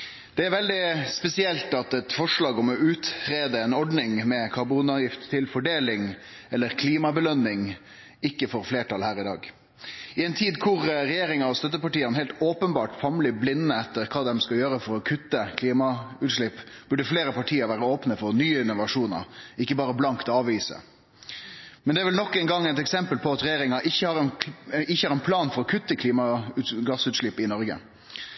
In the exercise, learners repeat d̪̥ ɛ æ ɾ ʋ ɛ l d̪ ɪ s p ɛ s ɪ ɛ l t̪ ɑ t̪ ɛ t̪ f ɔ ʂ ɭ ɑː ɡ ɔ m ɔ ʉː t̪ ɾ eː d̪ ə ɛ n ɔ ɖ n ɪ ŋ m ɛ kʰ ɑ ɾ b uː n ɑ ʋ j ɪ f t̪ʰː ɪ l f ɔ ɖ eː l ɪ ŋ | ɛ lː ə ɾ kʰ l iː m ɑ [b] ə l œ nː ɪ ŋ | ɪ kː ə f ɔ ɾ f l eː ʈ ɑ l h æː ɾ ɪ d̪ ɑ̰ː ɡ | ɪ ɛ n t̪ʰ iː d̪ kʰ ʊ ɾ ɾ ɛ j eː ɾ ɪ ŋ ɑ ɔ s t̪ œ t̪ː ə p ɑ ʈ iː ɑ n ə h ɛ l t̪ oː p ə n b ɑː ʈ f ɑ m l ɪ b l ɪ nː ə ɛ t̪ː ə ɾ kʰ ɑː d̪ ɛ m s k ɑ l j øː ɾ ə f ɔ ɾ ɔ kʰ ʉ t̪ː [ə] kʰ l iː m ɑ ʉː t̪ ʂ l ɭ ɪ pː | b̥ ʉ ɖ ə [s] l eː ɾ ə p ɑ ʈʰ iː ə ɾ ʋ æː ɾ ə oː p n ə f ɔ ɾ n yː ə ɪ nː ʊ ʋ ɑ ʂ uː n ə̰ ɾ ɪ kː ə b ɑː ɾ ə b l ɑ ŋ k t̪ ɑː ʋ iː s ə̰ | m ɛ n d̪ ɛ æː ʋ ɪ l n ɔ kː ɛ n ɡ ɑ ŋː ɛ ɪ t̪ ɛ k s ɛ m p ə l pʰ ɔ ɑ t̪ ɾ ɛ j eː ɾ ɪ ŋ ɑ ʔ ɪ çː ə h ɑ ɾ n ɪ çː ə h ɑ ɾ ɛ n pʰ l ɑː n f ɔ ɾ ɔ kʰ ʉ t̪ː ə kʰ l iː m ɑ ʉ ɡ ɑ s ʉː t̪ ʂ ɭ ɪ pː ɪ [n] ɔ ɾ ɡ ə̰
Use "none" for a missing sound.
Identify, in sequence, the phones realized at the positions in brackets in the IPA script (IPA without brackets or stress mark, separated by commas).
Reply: b, ə, f, n